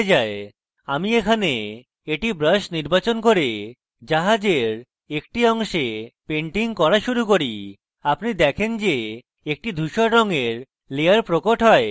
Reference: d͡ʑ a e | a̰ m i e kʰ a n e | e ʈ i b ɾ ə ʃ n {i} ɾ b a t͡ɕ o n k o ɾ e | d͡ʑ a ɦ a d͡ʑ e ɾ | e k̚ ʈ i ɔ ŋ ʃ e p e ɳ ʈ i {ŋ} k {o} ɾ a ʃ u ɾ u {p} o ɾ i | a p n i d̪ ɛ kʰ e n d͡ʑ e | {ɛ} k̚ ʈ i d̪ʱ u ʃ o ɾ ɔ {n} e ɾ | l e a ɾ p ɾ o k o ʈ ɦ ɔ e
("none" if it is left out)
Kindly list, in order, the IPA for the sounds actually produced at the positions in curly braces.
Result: i, ŋ, ɔ, k, e, ŋ

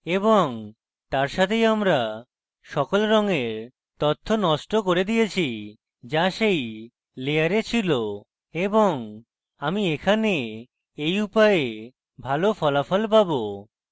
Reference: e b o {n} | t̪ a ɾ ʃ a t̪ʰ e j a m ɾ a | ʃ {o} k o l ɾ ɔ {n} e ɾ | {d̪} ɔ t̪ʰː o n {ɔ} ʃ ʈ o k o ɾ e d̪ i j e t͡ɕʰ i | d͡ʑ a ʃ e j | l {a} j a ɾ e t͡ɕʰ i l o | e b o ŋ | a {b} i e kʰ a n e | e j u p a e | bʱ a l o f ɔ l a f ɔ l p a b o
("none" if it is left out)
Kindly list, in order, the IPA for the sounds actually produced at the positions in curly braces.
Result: ŋ, ɔ, ŋ, t̪, ɔ, e, m

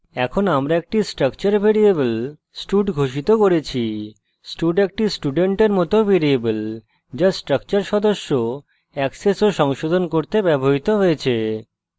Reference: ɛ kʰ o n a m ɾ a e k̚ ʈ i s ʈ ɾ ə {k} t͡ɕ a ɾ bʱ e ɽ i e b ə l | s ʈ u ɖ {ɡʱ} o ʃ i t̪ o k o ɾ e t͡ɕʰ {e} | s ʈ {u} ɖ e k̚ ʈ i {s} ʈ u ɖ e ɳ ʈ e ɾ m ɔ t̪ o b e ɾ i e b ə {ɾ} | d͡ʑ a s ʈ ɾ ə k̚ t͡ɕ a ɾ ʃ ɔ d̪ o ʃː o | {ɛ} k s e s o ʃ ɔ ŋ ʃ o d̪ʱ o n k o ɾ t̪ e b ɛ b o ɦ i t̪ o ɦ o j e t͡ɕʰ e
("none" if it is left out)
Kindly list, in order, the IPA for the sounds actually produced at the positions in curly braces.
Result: k, ɡʱ, i, u, s, l, ɛ

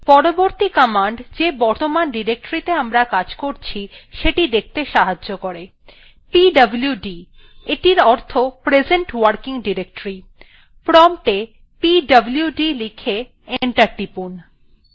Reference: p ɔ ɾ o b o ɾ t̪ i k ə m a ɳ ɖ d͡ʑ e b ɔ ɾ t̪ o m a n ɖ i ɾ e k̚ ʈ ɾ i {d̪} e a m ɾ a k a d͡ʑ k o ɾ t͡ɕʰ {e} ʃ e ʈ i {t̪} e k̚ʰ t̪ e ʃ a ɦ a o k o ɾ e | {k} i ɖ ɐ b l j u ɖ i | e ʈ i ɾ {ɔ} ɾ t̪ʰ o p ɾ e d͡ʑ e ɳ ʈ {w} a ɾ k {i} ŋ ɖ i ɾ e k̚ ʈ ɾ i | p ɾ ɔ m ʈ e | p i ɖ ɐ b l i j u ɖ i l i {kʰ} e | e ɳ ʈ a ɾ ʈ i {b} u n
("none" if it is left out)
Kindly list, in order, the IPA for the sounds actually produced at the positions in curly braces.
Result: t̪, i, d̪, p, ɔ, w, i, kʰ, p

